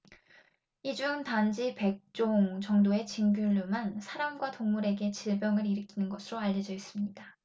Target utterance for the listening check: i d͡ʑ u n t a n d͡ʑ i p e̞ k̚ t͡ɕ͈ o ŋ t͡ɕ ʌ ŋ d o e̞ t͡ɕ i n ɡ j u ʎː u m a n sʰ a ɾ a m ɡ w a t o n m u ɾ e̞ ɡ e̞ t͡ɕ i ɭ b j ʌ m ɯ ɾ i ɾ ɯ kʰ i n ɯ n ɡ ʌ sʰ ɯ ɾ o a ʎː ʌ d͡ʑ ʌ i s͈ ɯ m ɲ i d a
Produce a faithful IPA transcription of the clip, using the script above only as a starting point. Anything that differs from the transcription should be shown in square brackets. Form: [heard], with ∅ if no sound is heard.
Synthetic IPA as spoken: i d͡ʑ u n t a n d͡ʑ i p e̞ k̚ t͡ɕ͈ o ŋ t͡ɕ ʌ ŋ d o e̞ t͡ɕ i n ɡ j u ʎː u m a n sʰ a ɾ a m ɡ w a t o [ŋ] m u ɾ e̞ ɡ e̞ t͡ɕ i ɭ b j ʌ [ŋ] ɯ ɾ i ɾ ɯ kʰ i n ɯ n ɡ ʌ sʰ ɯ ɾ o a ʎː ʌ d͡ʑ ʌ i s͈ ɯ m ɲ i d a